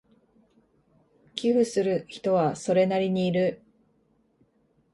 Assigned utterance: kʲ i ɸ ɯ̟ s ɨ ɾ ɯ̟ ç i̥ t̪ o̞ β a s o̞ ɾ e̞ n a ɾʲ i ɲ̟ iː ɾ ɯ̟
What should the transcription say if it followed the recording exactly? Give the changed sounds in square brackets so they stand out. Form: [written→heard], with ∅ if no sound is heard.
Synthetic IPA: kʲ i ɸ ɯ̟ s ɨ ɾ ɯ̟ ç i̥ t̪ o̞ β a s o̞ ɾ e̞ n a ɾʲ i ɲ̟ iː ɾ ɯ̟